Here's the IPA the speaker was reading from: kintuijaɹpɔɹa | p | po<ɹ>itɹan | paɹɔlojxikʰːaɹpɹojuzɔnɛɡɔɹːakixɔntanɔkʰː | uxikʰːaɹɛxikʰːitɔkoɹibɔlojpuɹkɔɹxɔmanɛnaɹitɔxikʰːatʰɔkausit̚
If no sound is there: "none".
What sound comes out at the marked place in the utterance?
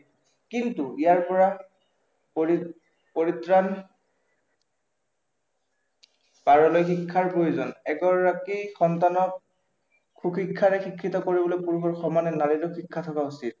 ɹ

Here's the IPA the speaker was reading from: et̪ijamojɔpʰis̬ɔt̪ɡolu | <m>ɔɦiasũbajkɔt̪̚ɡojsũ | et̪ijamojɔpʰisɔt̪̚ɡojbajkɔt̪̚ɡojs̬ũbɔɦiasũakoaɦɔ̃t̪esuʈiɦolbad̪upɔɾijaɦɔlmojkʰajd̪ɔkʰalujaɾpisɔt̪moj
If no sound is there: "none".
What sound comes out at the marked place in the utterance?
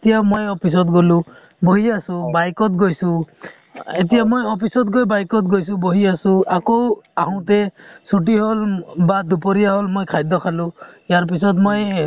b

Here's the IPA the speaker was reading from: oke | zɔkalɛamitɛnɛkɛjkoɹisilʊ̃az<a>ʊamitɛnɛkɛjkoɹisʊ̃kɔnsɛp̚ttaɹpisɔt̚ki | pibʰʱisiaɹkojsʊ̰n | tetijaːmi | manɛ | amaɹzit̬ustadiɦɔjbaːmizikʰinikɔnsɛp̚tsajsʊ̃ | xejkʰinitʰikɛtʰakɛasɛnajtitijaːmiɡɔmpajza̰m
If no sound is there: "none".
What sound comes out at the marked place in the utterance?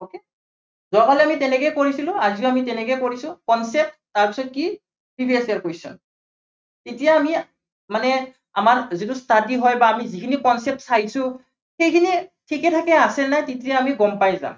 i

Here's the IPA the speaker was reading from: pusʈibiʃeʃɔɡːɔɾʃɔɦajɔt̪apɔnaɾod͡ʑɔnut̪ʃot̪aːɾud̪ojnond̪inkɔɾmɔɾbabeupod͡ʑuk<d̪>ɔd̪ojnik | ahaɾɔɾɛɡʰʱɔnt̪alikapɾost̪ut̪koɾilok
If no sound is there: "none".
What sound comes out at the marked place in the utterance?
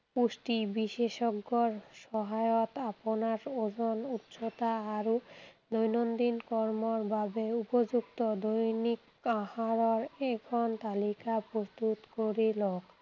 t̪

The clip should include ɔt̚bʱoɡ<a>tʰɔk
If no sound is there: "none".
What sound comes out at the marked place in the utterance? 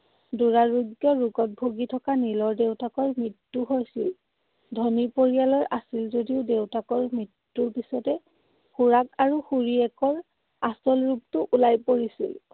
i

